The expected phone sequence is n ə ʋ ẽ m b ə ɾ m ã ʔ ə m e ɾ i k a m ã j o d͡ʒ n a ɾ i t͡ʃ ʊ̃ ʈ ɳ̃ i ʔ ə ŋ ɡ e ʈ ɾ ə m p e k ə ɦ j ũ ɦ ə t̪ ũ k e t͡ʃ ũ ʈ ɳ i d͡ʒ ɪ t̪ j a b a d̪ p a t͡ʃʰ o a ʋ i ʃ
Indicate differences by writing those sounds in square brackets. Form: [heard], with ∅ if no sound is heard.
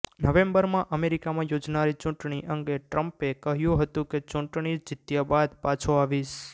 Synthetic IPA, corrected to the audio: n ə ʋ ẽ m b ə ɾ m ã ʔ ə m e ɾ i k a m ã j o d͡ʒ n a ɾ i t͡ʃ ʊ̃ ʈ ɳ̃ i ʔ ə ŋ ɡ e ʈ ɾ ə m p e k ə ɦ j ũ ɦ ə t̪ ũ k e t͡ʃ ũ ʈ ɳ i d͡ʒ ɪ t̪ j a b a d̪ p a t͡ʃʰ o a ʋ i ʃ